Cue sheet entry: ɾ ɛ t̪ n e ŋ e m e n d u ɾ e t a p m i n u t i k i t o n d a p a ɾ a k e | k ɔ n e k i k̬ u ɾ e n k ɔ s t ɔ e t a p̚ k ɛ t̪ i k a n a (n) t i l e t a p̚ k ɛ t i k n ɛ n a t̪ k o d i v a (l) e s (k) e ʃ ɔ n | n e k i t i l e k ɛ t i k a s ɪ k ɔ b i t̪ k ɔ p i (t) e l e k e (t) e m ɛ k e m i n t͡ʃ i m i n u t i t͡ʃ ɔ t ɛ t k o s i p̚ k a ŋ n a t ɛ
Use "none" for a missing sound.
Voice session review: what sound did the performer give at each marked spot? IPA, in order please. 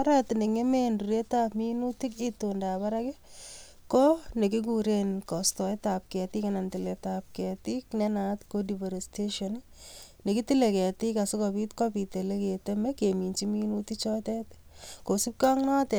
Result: n, ɾ, t, t, t

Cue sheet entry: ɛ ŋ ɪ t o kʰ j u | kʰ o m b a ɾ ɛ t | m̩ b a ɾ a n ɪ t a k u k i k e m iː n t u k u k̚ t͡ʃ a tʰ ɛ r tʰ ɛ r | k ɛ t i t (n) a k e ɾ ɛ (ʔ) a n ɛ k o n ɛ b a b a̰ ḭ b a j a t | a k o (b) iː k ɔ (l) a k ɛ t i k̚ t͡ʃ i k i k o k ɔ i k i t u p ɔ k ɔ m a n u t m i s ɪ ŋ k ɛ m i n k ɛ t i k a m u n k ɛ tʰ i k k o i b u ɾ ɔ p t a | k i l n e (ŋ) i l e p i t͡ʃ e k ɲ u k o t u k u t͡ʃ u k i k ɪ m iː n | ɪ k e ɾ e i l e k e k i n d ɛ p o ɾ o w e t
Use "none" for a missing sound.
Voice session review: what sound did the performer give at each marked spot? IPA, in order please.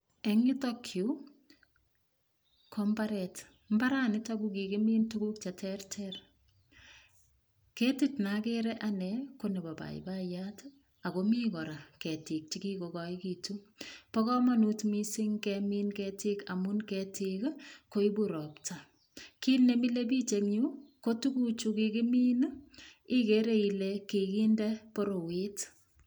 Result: n, ʔ, m, ɾ, m

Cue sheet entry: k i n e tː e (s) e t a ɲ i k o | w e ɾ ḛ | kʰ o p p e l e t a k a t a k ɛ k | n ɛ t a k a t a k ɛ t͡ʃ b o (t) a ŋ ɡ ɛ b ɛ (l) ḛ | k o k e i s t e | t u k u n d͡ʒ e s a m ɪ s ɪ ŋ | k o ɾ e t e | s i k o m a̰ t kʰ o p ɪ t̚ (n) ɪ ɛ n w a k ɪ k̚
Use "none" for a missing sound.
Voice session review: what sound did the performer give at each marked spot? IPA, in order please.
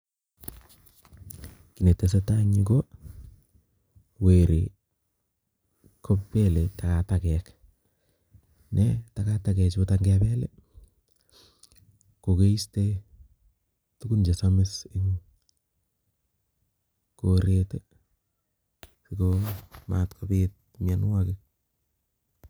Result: s, t, l, m

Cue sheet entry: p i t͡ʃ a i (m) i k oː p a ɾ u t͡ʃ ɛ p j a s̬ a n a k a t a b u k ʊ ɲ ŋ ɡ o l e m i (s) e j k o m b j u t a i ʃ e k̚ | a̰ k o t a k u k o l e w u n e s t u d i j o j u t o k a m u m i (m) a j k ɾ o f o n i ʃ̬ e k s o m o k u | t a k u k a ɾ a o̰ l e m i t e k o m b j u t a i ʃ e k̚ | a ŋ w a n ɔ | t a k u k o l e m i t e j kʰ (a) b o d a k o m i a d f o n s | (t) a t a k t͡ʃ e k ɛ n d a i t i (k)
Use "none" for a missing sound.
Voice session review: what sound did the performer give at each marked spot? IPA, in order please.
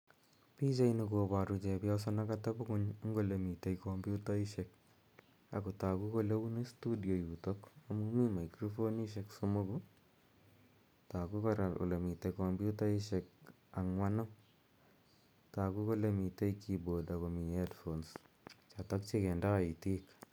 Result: n, t, m, i, t͡ʃ, k

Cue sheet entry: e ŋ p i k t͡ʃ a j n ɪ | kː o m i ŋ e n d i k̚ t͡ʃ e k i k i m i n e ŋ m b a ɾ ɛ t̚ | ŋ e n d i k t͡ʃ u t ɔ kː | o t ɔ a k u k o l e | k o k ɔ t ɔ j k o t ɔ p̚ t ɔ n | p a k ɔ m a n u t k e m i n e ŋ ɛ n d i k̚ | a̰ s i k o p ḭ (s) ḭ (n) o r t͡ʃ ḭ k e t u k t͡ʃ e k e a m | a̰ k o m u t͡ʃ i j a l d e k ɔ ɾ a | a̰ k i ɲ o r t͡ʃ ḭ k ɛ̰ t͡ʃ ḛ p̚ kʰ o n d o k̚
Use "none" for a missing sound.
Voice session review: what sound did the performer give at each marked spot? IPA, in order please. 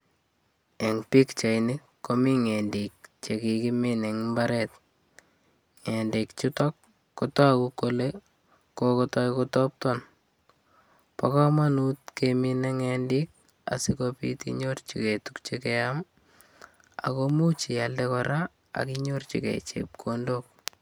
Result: t, ɲ

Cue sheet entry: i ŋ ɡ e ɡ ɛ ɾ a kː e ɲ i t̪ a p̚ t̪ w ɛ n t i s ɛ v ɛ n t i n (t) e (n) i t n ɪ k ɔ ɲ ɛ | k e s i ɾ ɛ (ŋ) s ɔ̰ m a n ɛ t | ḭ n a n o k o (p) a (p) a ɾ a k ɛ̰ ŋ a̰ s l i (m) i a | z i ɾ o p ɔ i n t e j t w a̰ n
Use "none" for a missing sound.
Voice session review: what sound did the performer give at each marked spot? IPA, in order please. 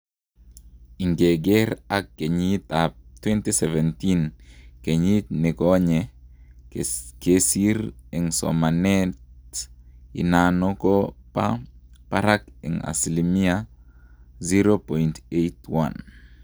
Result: k, ɲ, ŋ, p, p, m

